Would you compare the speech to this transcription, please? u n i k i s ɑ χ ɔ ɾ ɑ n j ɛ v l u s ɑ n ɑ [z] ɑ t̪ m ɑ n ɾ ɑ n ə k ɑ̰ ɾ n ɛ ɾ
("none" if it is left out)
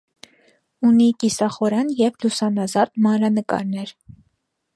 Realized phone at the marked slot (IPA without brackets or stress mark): z